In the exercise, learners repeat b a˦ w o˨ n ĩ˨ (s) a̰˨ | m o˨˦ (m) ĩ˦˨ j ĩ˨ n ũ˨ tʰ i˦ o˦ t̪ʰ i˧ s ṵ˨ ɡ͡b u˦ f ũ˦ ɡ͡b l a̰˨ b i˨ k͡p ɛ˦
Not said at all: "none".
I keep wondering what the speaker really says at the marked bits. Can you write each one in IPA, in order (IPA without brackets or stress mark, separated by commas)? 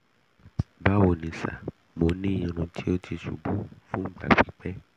s, n